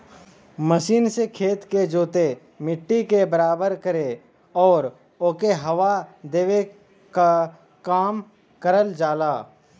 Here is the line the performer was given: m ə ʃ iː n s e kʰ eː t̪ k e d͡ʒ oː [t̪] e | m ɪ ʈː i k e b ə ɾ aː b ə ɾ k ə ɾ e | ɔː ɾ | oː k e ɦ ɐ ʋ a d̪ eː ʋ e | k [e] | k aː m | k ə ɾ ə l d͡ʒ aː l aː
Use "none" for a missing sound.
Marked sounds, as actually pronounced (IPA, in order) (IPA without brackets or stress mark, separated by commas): t̪, a